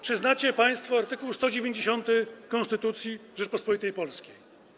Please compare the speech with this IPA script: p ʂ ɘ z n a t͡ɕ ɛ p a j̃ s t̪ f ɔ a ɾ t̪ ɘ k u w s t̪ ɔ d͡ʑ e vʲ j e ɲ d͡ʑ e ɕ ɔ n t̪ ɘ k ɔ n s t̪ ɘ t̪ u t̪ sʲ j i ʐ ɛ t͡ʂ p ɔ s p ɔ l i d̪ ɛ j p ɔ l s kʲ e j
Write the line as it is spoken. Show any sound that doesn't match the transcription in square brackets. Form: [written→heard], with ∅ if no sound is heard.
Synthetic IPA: p ʂ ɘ z n a t͡ɕ ɛ p a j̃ s t̪ f ɔ a ɾ t̪ ɘ k u w s t̪ ɔ d͡ʑ e vʲ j e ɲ d͡ʑ e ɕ ɔ n t̪ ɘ k ɔ n s t̪ ɘ t̪ u t̪ sʲ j i ʐ ɛ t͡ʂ p ɔ s p ɔ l i [d̪→t̪] ɛ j p ɔ l s kʲ e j